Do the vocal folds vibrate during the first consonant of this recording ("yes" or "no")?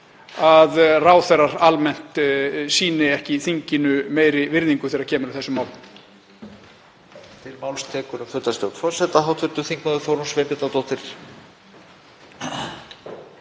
yes